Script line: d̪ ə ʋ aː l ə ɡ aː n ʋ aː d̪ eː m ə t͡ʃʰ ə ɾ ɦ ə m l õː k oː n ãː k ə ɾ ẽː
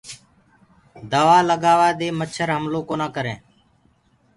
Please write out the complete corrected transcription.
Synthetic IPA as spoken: d̪ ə ʋ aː l ə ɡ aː ʋ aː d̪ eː m ə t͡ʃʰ ə ɾ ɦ ə m l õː k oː n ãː k ə ɾ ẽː